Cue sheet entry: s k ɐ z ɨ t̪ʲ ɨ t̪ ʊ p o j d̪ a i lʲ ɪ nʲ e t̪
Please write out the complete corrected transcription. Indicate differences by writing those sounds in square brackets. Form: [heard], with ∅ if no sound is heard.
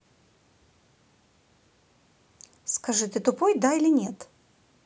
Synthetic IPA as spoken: s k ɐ [ʐ] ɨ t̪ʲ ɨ t̪ ʊ p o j d̪ a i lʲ ɪ nʲ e t̪